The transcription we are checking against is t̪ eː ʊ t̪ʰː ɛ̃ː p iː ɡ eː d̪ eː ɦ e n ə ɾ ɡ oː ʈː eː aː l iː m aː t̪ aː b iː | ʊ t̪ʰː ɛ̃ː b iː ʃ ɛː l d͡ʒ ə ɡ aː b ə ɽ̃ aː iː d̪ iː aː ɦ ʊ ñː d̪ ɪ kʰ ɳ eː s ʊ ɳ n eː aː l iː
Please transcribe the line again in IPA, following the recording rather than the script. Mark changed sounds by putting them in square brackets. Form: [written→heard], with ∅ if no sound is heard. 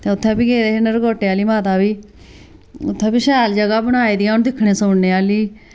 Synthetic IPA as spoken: t̪ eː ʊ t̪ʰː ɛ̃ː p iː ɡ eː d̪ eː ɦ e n ə ɾ ɡ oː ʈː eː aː l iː m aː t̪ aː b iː | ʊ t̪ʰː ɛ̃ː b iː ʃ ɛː l d͡ʒ ə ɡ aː b ə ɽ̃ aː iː d̪ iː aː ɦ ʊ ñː d̪ ɪ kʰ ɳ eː s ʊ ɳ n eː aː l iː